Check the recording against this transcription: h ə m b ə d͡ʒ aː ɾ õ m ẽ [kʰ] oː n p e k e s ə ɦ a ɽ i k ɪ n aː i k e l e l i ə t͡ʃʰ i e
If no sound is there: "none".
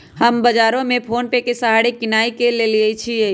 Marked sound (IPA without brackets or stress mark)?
pʰ